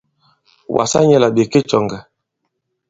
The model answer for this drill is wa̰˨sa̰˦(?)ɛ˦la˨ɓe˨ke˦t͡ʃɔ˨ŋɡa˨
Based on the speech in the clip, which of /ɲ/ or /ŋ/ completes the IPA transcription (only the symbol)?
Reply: ɲ